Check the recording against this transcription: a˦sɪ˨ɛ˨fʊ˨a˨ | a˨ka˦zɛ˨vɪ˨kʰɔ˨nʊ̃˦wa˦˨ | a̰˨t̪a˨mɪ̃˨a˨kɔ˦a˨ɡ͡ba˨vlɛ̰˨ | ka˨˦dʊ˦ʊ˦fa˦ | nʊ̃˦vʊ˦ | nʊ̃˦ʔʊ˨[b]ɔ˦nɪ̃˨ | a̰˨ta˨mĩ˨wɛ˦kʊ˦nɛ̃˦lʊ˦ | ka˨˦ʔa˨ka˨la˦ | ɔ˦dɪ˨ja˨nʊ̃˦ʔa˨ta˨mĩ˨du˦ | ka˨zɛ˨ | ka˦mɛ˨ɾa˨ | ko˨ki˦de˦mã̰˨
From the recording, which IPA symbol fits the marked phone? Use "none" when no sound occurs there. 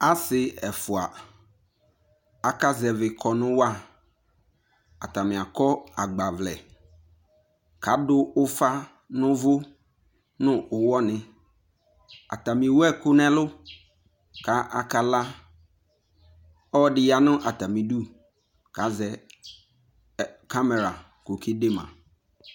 w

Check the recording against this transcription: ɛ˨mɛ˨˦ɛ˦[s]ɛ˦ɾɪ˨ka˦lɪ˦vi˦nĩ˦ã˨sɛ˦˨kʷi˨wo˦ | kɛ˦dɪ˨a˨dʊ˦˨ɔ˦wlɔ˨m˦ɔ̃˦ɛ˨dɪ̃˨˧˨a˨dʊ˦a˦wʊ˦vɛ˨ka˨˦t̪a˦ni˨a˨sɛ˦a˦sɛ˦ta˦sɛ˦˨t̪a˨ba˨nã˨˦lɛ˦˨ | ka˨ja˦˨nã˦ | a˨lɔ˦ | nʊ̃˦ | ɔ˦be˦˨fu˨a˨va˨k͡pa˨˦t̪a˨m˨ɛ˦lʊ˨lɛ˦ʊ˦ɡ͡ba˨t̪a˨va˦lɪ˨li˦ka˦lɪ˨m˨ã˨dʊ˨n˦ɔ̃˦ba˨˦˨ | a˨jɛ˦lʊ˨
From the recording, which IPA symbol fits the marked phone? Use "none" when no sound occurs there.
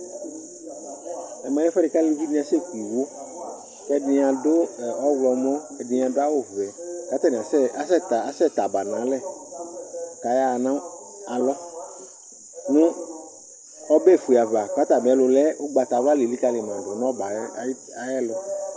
f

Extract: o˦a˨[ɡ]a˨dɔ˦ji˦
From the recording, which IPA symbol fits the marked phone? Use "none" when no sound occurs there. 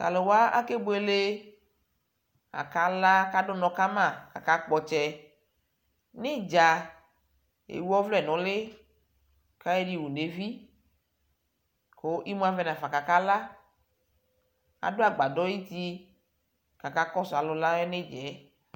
ɡ͡b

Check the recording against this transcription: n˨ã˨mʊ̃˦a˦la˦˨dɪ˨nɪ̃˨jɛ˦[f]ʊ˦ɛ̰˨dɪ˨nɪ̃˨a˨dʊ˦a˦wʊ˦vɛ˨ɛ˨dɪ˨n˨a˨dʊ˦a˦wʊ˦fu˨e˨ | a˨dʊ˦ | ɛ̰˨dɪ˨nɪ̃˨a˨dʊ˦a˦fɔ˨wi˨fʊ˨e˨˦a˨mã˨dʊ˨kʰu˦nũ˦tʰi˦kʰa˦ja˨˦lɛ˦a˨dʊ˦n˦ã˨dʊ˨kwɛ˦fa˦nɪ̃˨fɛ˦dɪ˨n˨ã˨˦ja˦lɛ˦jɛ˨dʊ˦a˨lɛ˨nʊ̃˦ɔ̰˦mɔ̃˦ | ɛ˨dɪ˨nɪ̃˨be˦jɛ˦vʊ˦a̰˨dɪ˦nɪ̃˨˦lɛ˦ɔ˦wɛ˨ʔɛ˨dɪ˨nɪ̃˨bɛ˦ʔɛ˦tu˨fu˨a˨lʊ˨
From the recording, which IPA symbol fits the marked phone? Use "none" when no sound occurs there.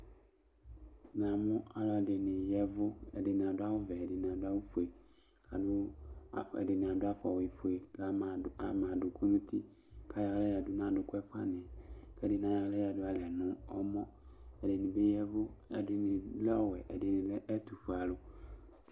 v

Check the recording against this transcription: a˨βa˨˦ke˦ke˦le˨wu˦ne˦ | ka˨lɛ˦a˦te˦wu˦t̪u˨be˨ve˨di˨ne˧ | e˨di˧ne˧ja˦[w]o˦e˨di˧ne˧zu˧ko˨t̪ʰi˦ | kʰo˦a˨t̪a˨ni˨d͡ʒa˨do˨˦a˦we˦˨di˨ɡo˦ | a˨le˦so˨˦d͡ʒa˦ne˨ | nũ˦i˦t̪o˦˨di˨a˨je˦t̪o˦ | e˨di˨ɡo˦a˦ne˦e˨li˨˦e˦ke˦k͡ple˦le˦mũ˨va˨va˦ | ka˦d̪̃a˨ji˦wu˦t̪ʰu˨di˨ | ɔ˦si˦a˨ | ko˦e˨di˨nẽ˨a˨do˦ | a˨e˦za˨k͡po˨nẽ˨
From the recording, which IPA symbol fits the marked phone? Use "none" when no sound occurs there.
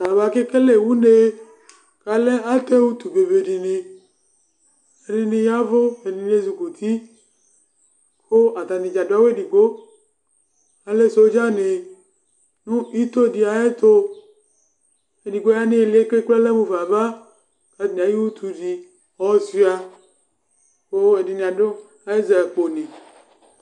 v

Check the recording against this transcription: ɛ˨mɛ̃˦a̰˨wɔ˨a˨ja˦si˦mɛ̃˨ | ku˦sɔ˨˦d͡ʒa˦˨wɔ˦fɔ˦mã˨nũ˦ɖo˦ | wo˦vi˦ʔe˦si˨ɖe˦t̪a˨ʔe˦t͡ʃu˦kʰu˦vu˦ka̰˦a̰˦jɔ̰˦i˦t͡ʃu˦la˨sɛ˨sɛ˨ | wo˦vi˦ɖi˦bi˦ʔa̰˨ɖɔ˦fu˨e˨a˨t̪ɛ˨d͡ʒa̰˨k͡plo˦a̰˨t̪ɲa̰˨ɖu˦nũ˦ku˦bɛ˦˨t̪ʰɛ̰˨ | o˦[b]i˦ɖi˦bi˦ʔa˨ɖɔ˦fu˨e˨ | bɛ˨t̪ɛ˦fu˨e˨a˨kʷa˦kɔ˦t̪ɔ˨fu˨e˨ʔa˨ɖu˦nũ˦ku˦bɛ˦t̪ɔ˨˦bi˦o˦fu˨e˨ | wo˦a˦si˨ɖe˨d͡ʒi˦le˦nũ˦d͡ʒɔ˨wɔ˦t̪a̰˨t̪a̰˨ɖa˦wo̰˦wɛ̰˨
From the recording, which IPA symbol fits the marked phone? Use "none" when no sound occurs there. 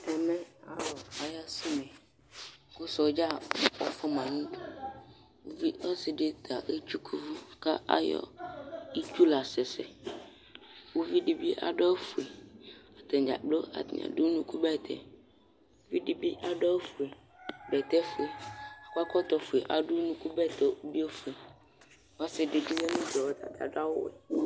v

